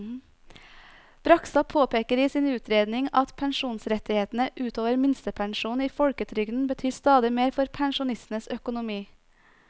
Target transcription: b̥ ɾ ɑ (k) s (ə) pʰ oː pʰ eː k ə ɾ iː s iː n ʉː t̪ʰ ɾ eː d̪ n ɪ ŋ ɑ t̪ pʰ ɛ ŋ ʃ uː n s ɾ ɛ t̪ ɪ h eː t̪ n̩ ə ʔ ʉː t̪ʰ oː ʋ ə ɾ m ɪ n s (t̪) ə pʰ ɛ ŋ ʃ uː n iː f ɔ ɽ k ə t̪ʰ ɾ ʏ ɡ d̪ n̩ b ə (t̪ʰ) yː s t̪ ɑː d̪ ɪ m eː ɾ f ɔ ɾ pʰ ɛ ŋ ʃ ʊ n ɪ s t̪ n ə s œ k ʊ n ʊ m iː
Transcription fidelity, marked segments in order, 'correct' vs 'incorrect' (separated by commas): correct, incorrect, correct, correct